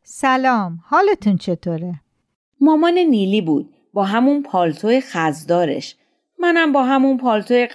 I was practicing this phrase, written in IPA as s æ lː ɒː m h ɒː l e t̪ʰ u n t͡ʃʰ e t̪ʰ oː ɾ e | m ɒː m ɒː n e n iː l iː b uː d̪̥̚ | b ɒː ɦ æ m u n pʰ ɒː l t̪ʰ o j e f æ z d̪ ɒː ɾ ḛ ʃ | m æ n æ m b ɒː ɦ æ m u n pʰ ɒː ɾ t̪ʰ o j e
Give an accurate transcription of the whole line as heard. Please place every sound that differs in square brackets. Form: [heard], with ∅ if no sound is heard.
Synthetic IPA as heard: s æ [l] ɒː m h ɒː l e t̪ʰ u n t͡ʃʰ e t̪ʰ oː ɾ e | m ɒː m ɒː n e n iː l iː b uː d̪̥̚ | b ɒː ɦ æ m u n pʰ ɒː l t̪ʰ o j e [x] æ z d̪ ɒː ɾ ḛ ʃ | m æ n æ m b ɒː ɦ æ m u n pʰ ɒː [l] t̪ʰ o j e